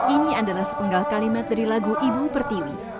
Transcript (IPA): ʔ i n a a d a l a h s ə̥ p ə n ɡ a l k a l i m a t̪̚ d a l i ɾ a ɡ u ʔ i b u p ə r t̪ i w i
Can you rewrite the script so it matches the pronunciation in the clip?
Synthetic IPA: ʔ i n i a d a l a h s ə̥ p ə ŋ ɡ a l k a l i m a t̪̚ d a ɾ i l a ɡ u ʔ i b u p ə r t̪ i w i